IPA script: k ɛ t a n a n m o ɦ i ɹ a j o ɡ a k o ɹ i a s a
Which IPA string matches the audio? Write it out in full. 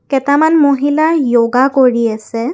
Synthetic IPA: k ɛ t a m a n m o ɦ i l a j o ɡ a k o ɹ i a s ɛ